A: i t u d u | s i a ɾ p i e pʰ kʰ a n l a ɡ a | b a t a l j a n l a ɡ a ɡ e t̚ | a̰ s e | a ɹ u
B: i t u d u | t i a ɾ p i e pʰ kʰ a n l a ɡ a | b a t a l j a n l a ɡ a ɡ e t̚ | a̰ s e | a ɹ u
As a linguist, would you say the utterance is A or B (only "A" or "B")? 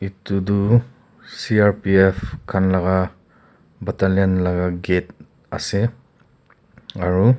A